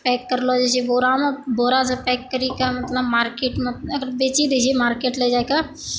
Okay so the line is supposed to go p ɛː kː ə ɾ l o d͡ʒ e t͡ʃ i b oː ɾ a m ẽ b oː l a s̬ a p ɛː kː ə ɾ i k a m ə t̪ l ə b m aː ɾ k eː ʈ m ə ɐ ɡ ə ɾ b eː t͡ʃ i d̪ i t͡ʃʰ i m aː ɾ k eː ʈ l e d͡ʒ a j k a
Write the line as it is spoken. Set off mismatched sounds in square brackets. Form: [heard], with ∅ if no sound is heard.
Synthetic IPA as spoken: p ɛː kː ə ɾ l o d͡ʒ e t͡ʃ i b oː ɾ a m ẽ b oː [ɾ] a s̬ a p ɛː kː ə ɾ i k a m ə t̪ l ə b m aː ɾ k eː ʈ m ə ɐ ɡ ə ɾ b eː t͡ʃ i d̪ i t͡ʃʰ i m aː ɾ k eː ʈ l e d͡ʒ a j k a